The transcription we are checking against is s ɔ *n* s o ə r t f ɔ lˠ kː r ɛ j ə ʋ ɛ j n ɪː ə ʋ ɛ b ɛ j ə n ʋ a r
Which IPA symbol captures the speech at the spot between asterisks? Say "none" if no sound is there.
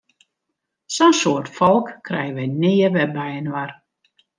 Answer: n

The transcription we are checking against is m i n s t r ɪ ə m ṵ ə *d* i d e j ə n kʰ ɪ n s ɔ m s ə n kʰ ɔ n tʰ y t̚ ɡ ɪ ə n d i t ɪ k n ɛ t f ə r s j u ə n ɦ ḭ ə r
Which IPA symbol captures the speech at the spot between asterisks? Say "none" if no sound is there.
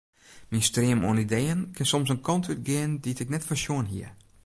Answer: n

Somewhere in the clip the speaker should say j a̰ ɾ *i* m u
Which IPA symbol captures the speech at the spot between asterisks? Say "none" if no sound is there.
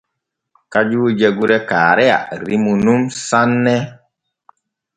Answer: i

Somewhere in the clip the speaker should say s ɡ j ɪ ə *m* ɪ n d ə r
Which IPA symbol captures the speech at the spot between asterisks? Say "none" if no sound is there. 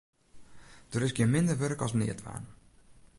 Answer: m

